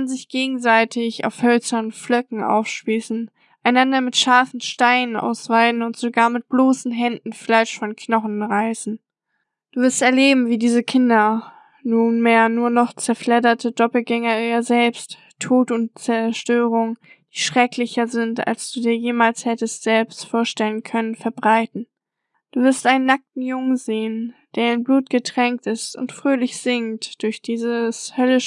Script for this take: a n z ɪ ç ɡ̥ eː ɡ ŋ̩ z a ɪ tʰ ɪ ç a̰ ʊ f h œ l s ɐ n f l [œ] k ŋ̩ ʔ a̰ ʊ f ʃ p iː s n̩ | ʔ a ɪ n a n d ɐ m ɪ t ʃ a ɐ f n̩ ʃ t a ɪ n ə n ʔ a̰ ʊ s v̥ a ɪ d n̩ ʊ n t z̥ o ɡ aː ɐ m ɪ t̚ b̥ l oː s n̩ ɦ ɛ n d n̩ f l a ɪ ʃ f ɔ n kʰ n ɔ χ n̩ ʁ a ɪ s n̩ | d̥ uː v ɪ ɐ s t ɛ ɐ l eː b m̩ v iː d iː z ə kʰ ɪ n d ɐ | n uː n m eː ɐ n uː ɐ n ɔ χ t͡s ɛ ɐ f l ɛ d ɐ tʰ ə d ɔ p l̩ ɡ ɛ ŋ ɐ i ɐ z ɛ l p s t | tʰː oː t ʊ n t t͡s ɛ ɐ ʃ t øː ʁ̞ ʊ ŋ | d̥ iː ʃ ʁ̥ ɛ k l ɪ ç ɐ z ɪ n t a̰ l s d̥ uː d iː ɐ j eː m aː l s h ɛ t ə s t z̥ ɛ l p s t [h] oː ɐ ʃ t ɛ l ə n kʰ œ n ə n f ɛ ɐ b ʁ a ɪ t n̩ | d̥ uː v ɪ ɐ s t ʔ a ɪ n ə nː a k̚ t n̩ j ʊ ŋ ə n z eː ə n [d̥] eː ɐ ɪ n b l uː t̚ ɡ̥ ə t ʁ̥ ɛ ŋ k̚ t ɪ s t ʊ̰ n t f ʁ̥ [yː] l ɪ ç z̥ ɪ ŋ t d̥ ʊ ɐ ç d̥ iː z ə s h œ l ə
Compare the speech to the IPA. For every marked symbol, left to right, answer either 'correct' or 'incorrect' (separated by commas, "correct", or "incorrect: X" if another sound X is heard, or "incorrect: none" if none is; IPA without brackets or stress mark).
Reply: correct, incorrect: f, correct, incorrect: øː